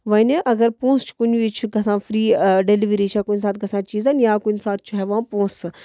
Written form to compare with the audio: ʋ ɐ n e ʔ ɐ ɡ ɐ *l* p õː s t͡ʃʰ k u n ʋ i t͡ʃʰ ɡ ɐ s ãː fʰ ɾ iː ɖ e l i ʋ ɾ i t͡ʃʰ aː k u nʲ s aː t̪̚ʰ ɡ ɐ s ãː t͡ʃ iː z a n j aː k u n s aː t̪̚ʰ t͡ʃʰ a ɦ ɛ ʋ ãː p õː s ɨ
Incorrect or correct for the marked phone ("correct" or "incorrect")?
incorrect